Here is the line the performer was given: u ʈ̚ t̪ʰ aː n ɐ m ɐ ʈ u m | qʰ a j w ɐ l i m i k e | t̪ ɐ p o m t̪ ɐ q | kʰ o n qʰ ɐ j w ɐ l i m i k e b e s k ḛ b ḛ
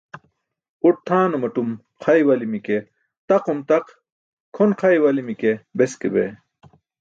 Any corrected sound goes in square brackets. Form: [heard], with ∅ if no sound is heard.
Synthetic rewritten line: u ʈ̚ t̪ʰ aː n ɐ m ɐ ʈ u m | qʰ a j w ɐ l i m i k e | t̪ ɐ [q] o m t̪ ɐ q | kʰ o n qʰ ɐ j w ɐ l i m i k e b e s k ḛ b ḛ